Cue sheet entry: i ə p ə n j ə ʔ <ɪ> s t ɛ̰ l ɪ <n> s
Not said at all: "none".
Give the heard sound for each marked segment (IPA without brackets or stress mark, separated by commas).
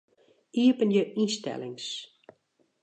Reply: i, ŋ